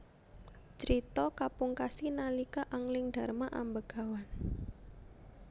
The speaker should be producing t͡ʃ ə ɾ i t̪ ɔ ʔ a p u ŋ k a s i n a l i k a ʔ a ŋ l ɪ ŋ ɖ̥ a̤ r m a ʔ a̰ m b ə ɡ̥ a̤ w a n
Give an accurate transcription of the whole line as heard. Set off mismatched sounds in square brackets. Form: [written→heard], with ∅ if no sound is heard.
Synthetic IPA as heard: t͡ʃ ə ɾ i t̪ ɔ [ʔ→k] a p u ŋ k a s i n a l i k a ʔ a ŋ l ɪ ŋ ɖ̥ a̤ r m a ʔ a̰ m b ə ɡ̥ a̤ w a n

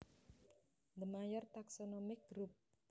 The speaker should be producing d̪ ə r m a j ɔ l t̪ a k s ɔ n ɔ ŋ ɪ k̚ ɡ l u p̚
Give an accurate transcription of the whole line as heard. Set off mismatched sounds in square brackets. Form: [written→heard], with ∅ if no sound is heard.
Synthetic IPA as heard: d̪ ə [r→∅] m a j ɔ [l→r] t̪ a k s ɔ n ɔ [ŋ→m] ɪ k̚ ɡ [l→ɾ] u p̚

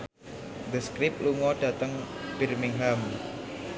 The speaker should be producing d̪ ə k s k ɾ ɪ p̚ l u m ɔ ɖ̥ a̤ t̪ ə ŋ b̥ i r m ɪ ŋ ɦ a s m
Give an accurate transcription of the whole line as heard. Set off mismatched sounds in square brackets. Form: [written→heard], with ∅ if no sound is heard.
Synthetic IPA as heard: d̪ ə [k→∅] s k ɾ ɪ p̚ l u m ɔ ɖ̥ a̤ t̪ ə ŋ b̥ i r m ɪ ŋ ɦ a [s→∅] m

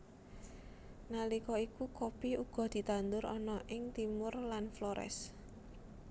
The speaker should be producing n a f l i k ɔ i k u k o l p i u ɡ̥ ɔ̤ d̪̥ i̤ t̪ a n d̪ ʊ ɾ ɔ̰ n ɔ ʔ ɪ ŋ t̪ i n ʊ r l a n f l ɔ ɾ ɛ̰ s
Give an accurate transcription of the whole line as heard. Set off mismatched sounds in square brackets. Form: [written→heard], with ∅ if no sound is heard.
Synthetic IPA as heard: n a [f→∅] l i k ɔ i k u k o [l→∅] p i u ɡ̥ ɔ̤ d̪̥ i̤ t̪ a n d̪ ʊ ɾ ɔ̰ n ɔ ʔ ɪ ŋ t̪ i [n→m] ʊ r l a n f l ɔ ɾ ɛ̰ s

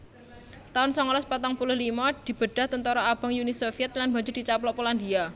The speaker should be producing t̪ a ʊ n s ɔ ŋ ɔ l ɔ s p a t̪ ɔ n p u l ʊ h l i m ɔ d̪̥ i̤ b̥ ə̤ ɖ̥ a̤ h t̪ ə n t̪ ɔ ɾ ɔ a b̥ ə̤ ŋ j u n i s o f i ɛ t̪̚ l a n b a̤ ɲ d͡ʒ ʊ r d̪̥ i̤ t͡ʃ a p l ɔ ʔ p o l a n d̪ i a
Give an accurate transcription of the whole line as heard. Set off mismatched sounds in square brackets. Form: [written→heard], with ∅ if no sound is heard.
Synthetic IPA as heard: t̪ a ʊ n s ɔ ŋ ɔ l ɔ s p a t̪ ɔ [n→ŋ] p u l ʊ h l i m ɔ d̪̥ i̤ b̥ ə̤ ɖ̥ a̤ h t̪ ə n t̪ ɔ ɾ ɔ a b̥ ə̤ ŋ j u n i s o f i ɛ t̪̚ l a n b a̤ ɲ d͡ʒ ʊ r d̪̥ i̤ t͡ʃ a p l ɔ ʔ p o l a n d̪ i a

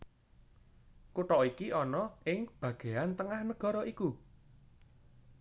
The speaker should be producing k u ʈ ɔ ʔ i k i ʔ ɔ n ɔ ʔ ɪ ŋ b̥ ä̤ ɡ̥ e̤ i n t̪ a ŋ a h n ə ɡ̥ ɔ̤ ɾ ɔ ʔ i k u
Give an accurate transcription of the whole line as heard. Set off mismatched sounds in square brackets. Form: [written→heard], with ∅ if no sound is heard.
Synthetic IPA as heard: k u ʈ ɔ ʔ i k i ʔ ɔ n ɔ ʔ ɪ ŋ b̥ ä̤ ɡ̥ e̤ [i→a] n t̪ [a→ə] ŋ a h n ə ɡ̥ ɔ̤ ɾ ɔ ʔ i k u

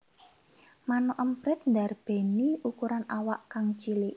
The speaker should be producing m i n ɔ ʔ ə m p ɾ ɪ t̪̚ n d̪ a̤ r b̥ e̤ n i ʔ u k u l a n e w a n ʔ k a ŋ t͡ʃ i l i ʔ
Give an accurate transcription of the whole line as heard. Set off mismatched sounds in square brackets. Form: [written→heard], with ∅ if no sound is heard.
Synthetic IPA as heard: m [i→a] n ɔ ʔ ə m p ɾ ɪ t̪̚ n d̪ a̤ r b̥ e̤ n i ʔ u k u [l→ɾ] a n [e→a] w a [n→∅] ʔ k a ŋ t͡ʃ i l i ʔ

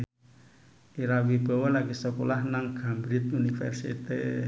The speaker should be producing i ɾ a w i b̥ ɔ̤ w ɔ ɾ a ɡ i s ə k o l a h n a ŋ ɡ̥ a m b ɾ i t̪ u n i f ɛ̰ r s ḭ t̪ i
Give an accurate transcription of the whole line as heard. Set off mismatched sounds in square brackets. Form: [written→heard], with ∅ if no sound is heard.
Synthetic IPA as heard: i ɾ a w i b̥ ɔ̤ w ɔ [ɾ→l] a ɡ i s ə k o l a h n a ŋ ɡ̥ a m b ɾ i t̪ u n i f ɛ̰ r s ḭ t̪ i

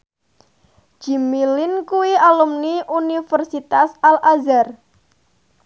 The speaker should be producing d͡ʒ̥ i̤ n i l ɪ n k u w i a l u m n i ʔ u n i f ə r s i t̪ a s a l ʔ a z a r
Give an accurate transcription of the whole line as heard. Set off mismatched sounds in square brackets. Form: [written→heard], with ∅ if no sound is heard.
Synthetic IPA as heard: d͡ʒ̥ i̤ [n→m] i l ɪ n k u w i a l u m n i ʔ u n i f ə r s i t̪ a s a l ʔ a z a r

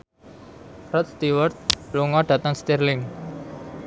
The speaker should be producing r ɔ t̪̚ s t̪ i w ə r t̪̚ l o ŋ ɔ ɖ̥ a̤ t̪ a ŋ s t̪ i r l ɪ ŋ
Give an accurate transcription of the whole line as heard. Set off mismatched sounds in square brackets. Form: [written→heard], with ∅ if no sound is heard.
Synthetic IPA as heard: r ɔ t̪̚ s t̪ i w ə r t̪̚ l [o→u] ŋ ɔ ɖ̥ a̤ t̪ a ŋ s t̪ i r l ɪ ŋ

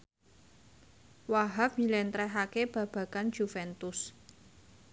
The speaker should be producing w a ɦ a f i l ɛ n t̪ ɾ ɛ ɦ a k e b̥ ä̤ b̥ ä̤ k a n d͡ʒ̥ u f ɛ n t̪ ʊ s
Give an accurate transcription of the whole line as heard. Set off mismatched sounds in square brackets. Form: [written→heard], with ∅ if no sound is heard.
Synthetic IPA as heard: w a ɦ a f i l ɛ n t̪ ɾ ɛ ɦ a k e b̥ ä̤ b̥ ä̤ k a n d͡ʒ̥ u f ɛ n t̪ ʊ s

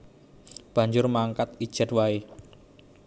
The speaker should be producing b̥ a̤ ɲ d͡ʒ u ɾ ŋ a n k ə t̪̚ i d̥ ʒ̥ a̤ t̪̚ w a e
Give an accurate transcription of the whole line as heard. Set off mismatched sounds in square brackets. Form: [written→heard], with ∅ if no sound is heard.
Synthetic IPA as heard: b̥ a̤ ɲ d͡ʒ [u→ʊ] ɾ [ŋ→m] a [n→ŋ] k [ə→a] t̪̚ i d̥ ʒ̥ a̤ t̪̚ w a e

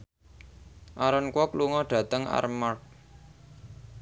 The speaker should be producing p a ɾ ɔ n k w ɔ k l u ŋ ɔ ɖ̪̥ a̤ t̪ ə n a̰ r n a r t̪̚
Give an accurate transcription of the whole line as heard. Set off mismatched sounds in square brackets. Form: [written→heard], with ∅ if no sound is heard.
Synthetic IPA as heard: [p→ʔ] a ɾ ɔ n k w ɔ k l u ŋ ɔ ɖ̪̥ a̤ t̪ ə [n→ŋ] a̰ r [n→m] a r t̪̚

